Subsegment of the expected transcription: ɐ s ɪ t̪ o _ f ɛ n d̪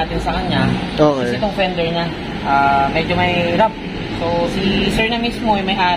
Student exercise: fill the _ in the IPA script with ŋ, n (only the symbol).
ŋ